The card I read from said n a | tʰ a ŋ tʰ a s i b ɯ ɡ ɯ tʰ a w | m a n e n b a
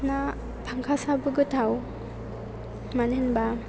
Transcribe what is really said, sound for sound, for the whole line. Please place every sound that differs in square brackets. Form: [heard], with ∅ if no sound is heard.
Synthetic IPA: n a | [pʰ] a ŋ [kʰ] a s [a] b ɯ ɡ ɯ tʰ a w | m a n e n b a